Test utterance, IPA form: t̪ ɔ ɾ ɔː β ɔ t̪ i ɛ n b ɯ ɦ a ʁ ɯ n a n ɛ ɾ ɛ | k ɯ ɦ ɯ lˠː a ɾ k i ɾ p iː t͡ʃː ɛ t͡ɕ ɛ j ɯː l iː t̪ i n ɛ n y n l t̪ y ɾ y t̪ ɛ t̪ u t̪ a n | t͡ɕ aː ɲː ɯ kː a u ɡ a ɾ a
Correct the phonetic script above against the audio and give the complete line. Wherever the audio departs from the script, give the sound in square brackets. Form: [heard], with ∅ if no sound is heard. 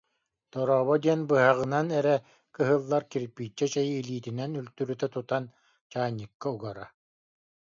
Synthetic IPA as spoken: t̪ ɔ ɾ ɔː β ɔ [d̪] i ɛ n b ɯ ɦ a ʁ ɯ n a n ɛ ɾ ɛ | k ɯ ɦ ɯ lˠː a ɾ k i ɾ p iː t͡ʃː ɛ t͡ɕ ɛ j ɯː l iː t̪ i n ɛ n y [∅] l t̪ y ɾ y t̪ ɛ t̪ u t̪ a n | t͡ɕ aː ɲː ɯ kː a u ɡ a ɾ a

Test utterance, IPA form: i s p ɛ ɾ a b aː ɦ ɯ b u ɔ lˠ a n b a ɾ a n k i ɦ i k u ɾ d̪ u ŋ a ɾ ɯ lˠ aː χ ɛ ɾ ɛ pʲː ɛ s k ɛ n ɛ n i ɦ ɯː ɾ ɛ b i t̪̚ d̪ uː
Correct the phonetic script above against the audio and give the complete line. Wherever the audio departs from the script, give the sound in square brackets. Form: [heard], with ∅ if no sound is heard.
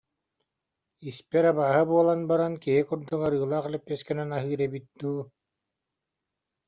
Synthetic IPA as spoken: i s p ɛ ɾ a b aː ɦ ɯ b u ɔ lˠ a n b a ɾ a n k i ɦ i k u ɾ d̪ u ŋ a ɾ [ɯː] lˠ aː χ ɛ [l] ɛ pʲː ɛ s k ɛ n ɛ n [a] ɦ ɯː ɾ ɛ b i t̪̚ d̪ uː

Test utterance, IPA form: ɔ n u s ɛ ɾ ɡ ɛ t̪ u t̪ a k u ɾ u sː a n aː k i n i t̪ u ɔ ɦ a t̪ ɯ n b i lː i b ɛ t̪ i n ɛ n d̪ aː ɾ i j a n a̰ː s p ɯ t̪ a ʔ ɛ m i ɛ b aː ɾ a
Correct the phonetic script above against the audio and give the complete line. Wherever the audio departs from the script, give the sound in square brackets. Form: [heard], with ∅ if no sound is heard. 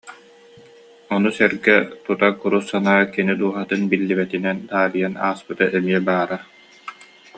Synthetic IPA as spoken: ɔ n u s ɛ ɾ ɡ ɛ t̪ u t̪ a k u ɾ u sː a n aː k i n i [d̪] u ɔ ɦ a t̪ ɯ n b i lː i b ɛ t̪ i n ɛ n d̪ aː ɾ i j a n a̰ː s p ɯ t̪ a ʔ ɛ m i ɛ b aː ɾ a

